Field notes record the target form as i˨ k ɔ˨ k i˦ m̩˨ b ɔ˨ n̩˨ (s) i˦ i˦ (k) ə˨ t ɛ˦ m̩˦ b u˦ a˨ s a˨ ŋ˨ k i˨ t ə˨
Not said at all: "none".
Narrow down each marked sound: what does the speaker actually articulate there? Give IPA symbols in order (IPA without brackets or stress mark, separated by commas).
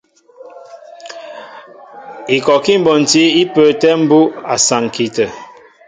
t, p